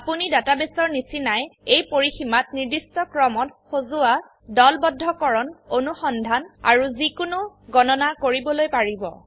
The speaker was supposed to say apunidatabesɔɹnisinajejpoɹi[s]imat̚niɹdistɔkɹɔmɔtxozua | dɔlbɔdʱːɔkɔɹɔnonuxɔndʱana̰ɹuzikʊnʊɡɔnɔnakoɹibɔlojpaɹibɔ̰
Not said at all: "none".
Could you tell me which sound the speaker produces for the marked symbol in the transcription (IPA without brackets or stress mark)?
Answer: x